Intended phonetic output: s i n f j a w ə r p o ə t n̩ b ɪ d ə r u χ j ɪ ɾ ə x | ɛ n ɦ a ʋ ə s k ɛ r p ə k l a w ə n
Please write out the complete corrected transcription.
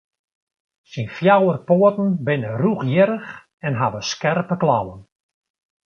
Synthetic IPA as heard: s i n f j a w ə r p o ə t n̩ b ɪ n ə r u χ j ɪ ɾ ə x | ɛ n ɦ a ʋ ə s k ɛ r p ə k l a w ə n

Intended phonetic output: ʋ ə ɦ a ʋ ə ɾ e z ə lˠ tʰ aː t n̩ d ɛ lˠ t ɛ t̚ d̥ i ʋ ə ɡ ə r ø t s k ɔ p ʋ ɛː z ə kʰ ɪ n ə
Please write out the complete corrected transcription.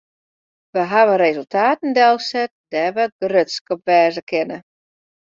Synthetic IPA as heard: ʋ ə ɦ a ʋ ə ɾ e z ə lˠ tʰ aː t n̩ d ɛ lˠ s ɛ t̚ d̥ ɛ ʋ ə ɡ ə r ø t s k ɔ p ʋ ɛː z ə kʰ ɪ n ə

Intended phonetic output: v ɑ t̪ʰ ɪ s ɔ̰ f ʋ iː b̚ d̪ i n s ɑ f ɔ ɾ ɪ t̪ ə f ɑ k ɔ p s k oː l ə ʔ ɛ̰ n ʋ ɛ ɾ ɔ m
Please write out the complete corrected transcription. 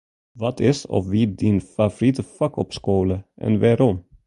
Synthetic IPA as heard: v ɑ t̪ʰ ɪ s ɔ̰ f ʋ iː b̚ d̪ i n f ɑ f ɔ ɾ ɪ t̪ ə f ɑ k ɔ p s k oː l ə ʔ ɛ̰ n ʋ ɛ ɾ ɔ m

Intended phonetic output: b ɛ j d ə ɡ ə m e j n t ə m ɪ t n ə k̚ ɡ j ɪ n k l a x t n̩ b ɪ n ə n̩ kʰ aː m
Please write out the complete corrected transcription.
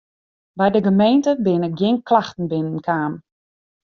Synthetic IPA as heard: b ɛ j d ə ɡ ə m e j n t ə b ɪ n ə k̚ ɡ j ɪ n k l a x t n̩ b ɪ n ə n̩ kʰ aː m

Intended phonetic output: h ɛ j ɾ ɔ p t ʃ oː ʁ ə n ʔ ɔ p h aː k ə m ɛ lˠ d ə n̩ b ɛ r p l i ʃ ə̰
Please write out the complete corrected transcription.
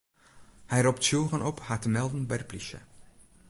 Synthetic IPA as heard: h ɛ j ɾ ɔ p t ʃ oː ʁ ə n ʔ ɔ p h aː t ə m ɛ lˠ d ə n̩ b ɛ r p l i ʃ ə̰

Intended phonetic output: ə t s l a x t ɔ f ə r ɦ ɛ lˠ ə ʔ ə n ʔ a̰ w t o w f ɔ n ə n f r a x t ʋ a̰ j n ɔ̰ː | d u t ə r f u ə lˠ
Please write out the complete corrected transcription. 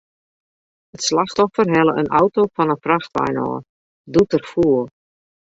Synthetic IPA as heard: ə t s l a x t ɔ f ə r ɦ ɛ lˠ ə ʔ ə n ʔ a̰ w t o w f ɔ n ə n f r a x t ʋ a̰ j n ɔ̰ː | d u t ə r f u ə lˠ

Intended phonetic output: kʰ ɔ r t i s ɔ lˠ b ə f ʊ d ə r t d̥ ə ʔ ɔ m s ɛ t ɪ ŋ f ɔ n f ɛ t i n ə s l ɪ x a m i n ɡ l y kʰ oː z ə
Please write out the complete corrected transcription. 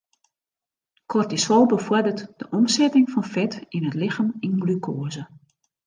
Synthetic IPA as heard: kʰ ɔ r t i s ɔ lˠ b ə f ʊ d ə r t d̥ ə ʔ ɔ m s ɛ t ɪ ŋ f ɔ n f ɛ t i n ə t l ɪ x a m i n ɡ l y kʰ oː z ə

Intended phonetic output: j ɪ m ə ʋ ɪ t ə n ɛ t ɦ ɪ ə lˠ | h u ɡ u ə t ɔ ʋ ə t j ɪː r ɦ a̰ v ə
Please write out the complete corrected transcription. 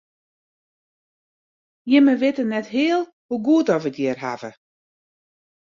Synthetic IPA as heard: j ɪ m ə ʋ ɪ t ə n ɛ t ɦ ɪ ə lˠ | h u ɡ u ə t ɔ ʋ ə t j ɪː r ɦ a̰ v ə

